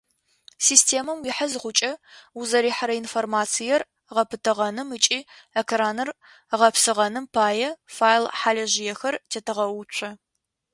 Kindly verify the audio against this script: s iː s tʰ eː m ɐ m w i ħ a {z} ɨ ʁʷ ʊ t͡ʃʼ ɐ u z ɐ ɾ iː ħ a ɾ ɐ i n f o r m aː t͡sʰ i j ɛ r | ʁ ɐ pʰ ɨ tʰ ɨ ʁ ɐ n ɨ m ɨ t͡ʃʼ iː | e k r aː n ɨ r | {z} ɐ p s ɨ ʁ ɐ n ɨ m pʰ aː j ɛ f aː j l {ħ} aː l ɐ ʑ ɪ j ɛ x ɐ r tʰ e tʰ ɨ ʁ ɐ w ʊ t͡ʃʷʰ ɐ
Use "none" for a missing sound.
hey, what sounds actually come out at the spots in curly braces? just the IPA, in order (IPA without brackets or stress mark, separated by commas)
z, ʁ, ħ